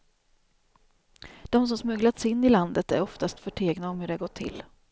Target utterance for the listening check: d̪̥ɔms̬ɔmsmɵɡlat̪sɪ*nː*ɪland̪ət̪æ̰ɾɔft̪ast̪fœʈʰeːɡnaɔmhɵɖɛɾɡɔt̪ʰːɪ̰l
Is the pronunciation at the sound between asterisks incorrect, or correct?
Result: correct